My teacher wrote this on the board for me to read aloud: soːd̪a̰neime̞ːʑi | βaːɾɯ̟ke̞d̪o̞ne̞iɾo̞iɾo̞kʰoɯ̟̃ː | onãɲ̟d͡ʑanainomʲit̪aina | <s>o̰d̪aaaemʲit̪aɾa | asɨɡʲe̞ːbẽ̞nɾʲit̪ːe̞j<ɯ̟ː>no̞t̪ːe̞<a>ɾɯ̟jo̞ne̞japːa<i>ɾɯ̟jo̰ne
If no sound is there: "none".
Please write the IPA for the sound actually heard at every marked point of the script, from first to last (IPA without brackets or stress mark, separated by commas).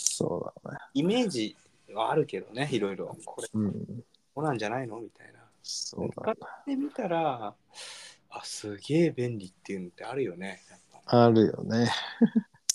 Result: s, ɯ̟, a, a